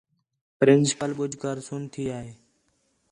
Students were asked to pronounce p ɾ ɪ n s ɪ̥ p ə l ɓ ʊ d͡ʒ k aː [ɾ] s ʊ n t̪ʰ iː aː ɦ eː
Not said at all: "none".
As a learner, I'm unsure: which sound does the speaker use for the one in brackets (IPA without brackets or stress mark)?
ɾ